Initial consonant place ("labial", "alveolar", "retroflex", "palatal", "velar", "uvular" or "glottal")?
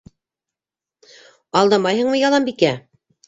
alveolar